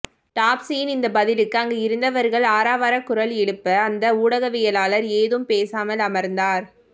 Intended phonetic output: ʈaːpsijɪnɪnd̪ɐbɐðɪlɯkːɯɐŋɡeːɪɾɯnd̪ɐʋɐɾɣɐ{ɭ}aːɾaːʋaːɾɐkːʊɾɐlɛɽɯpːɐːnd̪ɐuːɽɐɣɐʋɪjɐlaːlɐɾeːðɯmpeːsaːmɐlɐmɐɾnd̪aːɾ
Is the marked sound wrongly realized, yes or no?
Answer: no